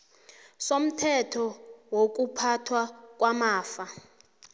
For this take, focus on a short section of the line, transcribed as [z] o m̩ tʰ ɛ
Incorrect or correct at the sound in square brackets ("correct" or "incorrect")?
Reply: incorrect